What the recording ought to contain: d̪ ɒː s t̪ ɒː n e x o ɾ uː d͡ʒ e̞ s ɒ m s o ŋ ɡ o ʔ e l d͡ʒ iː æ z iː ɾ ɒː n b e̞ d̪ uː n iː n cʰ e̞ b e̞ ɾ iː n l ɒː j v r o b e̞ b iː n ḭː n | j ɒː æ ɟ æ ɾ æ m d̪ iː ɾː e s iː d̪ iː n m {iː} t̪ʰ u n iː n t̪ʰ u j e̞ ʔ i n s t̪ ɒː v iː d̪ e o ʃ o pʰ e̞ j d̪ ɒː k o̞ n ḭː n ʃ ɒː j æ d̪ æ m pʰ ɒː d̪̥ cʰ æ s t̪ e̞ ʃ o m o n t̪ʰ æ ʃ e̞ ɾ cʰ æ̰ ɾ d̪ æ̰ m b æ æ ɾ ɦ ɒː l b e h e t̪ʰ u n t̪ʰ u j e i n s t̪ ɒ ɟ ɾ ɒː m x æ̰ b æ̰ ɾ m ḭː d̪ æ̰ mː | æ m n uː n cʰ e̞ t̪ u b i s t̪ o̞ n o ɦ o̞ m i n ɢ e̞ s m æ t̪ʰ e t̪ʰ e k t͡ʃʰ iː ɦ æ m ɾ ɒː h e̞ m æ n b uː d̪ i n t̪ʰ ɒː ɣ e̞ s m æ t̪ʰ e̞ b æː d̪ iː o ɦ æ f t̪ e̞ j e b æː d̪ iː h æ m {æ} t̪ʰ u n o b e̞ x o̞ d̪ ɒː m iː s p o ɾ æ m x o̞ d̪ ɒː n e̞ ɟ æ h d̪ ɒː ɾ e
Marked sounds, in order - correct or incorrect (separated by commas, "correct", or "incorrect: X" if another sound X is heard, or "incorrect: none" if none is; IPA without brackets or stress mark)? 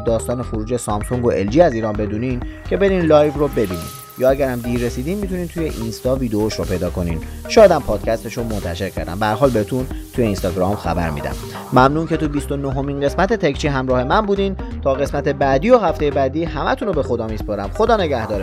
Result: incorrect: i, correct